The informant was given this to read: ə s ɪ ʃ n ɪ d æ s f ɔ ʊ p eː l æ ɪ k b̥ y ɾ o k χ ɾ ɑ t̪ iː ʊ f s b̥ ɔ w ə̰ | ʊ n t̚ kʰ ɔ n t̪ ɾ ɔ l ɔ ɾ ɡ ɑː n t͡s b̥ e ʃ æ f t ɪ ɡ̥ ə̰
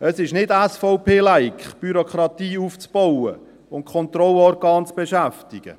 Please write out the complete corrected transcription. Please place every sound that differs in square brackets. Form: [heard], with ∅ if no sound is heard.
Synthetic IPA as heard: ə s ɪ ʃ n ɪ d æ s f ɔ ʊ p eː l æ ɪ k b̥ y ɾ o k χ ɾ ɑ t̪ iː [u] f [t͡s] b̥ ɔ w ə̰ | ʊ n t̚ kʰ ɔ n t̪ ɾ ɔ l ɔ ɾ ɡ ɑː n t͡s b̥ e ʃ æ f t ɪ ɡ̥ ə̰